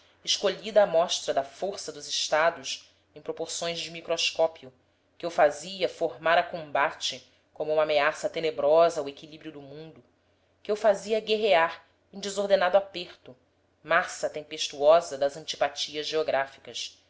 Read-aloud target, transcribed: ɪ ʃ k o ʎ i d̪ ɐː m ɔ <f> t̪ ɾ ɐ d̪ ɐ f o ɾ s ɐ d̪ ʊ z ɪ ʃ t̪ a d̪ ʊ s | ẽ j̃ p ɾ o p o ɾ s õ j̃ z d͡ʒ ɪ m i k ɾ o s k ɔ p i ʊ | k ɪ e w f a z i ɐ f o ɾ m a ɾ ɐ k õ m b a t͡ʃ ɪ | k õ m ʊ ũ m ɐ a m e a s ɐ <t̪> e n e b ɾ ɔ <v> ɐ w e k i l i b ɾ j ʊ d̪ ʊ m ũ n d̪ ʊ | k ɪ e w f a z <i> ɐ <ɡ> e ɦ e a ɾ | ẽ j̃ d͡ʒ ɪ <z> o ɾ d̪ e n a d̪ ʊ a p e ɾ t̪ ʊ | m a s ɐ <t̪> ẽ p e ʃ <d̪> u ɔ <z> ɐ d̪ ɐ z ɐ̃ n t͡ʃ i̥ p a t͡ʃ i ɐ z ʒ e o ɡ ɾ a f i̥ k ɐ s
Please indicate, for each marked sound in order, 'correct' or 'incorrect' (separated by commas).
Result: incorrect, correct, incorrect, correct, correct, correct, correct, incorrect, correct